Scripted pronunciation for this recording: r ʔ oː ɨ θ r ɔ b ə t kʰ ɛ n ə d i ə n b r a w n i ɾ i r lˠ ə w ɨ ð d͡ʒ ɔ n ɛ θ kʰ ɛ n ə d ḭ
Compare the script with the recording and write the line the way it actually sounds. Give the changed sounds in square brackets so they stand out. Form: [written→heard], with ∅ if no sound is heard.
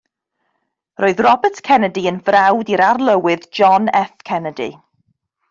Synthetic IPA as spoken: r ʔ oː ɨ [θ→ð] r ɔ b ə t kʰ ɛ n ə d i ə n [b→v] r a w [n→d] i ɾ [i→a] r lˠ ə w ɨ ð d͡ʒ ɔ n ɛ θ kʰ ɛ n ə d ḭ